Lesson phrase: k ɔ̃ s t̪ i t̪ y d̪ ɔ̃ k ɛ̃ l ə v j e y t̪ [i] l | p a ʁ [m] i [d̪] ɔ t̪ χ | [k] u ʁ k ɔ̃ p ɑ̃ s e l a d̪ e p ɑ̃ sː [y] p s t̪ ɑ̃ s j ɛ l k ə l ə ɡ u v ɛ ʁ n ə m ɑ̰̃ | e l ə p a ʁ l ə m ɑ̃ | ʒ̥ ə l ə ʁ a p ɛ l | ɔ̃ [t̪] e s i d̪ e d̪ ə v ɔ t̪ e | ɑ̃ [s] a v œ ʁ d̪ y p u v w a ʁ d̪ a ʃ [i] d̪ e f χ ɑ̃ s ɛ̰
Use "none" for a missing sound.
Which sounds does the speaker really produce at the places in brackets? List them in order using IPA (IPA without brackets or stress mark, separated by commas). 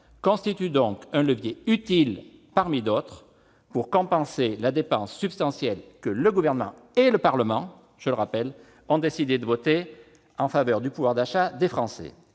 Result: i, m, d̪, p, y, d̪, f, a